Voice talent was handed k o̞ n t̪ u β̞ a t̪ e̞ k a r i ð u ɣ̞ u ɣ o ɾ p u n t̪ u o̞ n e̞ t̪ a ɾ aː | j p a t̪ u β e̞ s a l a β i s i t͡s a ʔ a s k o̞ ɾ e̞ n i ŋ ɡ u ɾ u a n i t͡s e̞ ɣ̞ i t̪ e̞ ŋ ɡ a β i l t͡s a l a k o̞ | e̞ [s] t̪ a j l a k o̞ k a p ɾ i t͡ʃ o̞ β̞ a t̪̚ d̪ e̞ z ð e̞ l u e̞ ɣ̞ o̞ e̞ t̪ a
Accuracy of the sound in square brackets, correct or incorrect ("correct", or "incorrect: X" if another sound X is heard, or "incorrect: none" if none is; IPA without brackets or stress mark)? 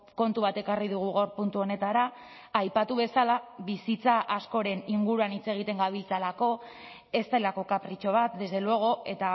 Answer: correct